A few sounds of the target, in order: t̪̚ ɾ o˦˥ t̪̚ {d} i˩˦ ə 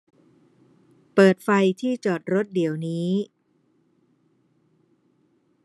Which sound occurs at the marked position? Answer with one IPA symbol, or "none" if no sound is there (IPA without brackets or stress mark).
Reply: d